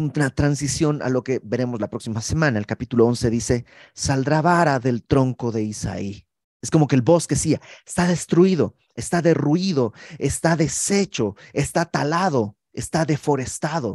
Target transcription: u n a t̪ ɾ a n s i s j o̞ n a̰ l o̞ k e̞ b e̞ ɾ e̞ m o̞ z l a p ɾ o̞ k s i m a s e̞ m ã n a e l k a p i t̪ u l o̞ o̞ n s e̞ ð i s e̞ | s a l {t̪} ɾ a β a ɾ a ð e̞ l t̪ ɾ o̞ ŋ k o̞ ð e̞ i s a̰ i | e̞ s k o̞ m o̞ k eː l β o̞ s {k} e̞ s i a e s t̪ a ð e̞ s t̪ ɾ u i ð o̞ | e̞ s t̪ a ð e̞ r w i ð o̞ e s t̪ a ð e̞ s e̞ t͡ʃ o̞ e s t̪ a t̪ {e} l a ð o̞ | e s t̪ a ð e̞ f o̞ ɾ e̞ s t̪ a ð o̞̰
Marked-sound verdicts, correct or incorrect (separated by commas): incorrect, correct, incorrect